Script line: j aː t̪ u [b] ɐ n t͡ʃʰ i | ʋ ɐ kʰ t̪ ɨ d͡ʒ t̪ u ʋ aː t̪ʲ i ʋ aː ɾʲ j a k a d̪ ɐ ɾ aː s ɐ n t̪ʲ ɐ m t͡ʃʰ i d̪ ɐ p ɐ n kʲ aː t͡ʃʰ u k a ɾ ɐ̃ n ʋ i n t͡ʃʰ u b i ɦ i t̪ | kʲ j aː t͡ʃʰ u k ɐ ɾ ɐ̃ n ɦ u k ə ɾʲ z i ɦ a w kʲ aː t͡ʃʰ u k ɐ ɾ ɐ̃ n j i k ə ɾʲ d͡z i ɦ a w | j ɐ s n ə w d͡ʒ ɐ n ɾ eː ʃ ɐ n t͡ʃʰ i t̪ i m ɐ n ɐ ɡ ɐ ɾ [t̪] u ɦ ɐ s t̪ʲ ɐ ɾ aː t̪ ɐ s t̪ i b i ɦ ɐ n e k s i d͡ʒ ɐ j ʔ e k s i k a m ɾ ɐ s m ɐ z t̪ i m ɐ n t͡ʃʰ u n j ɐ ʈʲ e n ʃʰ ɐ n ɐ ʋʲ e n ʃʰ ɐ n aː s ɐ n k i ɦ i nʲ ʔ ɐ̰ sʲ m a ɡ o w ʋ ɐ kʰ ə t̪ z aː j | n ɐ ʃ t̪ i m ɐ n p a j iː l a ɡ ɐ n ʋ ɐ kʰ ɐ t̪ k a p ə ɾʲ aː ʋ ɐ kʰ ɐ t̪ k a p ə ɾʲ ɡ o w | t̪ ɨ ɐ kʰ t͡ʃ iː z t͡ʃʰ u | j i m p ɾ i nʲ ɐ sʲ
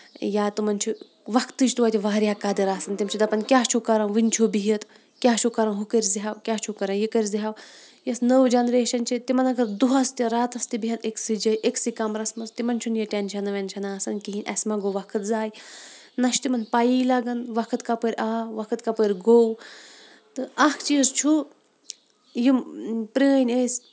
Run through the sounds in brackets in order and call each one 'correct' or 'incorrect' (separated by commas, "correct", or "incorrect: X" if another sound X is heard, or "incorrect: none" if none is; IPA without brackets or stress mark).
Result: incorrect: m, incorrect: d̪